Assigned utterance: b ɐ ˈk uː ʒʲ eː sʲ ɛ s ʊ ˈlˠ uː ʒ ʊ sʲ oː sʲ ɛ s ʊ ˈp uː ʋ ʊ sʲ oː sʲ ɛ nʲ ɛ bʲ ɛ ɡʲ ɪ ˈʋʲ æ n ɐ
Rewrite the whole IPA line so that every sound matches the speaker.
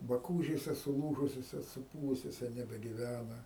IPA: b ɐ ˈk uː ʒʲ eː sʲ ɛ s ʊ ˈlˠ uː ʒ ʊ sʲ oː sʲ ɛ s ʊ ˈp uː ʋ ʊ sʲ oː sʲ ɛ nʲ ɛ bʲ ɛ ɡʲ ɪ ˈʋʲ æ n ɐ